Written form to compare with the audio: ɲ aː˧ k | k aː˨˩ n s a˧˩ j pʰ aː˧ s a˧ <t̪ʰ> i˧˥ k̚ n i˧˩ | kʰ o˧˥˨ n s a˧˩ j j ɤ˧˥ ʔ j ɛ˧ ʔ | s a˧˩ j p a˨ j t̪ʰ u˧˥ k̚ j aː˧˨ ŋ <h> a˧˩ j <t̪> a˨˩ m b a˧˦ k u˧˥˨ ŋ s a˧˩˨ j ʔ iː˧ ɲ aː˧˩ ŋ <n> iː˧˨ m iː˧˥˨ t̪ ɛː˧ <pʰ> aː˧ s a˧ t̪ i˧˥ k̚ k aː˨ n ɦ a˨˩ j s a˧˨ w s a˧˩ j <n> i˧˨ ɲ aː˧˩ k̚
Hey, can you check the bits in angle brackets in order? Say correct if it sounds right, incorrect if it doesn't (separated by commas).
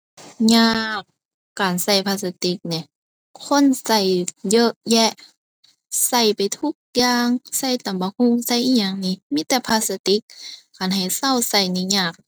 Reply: incorrect, incorrect, correct, correct, correct, correct